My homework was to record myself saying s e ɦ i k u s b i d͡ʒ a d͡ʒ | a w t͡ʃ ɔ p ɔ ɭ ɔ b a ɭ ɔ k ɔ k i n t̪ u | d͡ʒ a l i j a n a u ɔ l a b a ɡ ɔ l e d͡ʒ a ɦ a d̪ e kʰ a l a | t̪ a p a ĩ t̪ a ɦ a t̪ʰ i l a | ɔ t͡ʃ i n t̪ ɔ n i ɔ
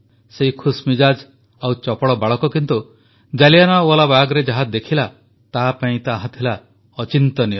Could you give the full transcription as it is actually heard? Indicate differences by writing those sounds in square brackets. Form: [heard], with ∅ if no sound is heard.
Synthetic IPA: s e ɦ i [kʰ] u s [m] i d͡ʒ a d͡ʒ | a w t͡ʃ ɔ p ɔ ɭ ɔ b a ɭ ɔ k ɔ k i n t̪ u | d͡ʒ a l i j a n a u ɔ l a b a ɡ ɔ [ɾ] e d͡ʒ a ɦ a d̪ e kʰ [i] l a | t̪ a p a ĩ t̪ a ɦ a t̪ʰ i l a | ɔ t͡ʃ i n t̪ ɔ n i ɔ